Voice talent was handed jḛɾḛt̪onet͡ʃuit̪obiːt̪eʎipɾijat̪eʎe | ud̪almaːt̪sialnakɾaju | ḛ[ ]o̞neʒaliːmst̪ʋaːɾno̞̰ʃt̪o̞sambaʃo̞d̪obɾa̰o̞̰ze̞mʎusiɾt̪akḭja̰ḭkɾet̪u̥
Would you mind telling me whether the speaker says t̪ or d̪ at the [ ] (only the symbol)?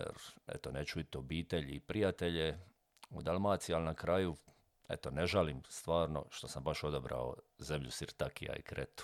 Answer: t̪